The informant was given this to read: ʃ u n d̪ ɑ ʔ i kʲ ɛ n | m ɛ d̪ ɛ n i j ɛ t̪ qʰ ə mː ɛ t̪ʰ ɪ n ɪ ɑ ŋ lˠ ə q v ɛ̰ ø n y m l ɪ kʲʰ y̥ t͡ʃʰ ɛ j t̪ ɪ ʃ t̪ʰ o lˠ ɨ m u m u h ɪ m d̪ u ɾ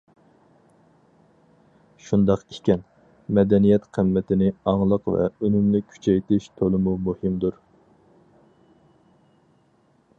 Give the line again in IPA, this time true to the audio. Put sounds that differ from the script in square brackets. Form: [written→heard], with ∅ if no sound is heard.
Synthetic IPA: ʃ u n d̪ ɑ [ʔ→q] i kʲ ɛ n | m ɛ d̪ ɛ n i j ɛ t̪ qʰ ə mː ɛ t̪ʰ ɪ n ɪ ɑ ŋ lˠ ə q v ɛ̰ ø n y m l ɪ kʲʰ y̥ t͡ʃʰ ɛ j t̪ ɪ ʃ t̪ʰ o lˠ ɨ m u m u h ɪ m d̪ u ɾ

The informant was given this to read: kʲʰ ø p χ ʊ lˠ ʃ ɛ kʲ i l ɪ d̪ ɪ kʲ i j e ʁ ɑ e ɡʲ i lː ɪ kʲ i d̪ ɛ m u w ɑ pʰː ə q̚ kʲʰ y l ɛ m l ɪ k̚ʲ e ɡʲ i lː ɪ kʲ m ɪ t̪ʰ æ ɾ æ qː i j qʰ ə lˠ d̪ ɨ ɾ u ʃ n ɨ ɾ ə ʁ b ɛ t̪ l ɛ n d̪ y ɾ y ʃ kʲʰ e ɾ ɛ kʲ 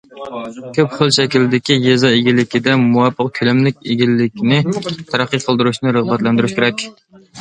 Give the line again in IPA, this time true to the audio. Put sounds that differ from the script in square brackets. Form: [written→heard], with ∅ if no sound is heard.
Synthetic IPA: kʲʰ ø p χ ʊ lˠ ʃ ɛ kʲ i l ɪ d̪ ɪ kʲ i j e [ʁ→z] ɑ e ɡʲ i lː ɪ kʲ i d̪ ɛ m u w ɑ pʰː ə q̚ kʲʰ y l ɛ m l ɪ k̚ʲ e ɡʲ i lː ɪ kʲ [m→n] ɪ t̪ʰ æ ɾ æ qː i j qʰ ə lˠ d̪ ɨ ɾ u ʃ n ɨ ɾ ə ʁ b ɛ t̪ l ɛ n d̪ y ɾ y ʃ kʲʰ e ɾ ɛ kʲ

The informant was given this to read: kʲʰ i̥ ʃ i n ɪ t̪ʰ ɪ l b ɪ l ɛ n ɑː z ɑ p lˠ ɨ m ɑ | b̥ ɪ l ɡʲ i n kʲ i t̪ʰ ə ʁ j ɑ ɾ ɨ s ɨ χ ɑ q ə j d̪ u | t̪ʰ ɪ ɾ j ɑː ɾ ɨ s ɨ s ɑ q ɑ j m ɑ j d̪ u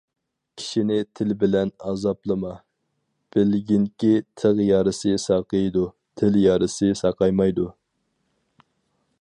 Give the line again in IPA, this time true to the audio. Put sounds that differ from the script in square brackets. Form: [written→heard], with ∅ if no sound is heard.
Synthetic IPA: kʲʰ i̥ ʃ i n ɪ t̪ʰ ɪ l b ɪ l ɛ n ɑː z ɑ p lˠ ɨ m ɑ | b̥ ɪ l ɡʲ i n kʲ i t̪ʰ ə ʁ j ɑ ɾ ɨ s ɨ [χ→s] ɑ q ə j d̪ u | t̪ʰ ɪ [ɾ→l] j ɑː ɾ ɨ s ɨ s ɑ q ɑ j m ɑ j d̪ u

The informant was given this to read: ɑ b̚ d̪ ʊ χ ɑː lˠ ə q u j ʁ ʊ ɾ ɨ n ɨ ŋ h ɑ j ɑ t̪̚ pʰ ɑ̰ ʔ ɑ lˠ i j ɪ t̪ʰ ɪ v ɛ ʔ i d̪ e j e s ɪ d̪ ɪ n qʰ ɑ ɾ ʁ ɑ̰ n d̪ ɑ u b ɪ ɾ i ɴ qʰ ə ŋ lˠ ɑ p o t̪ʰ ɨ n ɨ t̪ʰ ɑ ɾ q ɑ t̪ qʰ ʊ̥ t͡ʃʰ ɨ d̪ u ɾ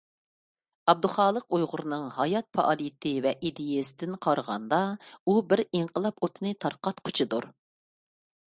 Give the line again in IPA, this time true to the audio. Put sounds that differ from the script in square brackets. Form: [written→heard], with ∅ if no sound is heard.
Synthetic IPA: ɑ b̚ d̪ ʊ χ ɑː lˠ ə q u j ʁ ʊ ɾ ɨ n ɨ ŋ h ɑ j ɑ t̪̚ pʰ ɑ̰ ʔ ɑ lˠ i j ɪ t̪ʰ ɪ v ɛ ʔ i d̪ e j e s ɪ d̪ ɪ n qʰ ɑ ɾ ʁ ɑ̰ n d̪ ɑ u b ɪ ɾ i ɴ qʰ ə [ŋ→∅] lˠ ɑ p o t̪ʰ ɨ n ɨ t̪ʰ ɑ ɾ q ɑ t̪ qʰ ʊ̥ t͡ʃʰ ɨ d̪ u ɾ

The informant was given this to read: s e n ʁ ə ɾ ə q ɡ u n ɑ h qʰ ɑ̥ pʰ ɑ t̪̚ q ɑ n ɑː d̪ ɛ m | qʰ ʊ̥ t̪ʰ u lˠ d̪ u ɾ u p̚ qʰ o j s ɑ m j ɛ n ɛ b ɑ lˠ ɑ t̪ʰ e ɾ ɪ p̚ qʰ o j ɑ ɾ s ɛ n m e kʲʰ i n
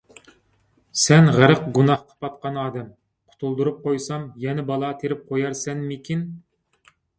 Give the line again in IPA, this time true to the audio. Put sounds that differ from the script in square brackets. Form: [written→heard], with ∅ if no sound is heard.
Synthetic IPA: s [e→ɛ] n ʁ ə ɾ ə q ɡ u n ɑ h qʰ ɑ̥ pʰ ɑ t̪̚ q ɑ n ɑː d̪ ɛ m | qʰ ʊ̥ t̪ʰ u lˠ d̪ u ɾ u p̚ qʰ o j s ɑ m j ɛ n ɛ b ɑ lˠ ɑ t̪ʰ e ɾ ɪ p̚ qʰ o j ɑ ɾ s ɛ n m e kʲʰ i n

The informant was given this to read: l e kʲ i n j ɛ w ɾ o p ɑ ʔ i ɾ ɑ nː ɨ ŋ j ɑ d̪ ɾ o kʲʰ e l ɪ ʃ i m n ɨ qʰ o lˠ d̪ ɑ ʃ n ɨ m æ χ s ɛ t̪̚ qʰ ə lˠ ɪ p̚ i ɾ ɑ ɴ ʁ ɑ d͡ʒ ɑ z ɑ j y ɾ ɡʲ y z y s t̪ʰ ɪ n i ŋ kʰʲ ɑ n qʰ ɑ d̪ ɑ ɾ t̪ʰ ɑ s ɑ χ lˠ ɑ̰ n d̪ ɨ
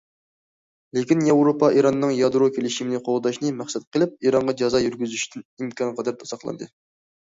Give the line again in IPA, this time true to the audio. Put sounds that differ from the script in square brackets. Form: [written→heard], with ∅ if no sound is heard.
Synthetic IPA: l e kʲ i n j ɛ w ɾ o p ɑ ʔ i ɾ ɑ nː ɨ ŋ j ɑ d̪ ɾ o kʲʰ e l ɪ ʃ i m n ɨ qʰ o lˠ d̪ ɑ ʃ n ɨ m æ χ s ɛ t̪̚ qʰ ə lˠ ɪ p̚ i ɾ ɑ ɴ ʁ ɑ d͡ʒ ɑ z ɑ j y ɾ ɡʲ y z y [s→ʃ] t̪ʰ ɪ n i [ŋ→m] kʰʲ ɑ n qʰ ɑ d̪ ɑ ɾ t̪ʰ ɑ s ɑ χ lˠ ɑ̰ n d̪ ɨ

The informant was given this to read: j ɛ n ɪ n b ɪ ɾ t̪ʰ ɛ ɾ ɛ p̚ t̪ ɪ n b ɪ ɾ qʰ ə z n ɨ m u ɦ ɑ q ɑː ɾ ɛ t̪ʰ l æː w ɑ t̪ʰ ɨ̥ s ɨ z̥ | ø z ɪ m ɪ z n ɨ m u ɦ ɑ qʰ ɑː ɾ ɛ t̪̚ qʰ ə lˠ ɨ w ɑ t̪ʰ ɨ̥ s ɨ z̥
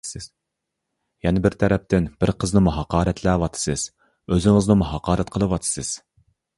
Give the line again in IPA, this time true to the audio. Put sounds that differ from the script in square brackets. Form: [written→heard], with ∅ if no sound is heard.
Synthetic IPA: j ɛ n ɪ [n→∅] b ɪ ɾ t̪ʰ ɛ ɾ ɛ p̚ t̪ ɪ n b ɪ ɾ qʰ ə z n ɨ m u ɦ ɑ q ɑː ɾ ɛ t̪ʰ l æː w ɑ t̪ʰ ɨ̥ s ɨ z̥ | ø z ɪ [m→ŋ] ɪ z n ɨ m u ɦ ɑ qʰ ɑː ɾ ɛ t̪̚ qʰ ə lˠ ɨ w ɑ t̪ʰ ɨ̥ s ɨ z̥

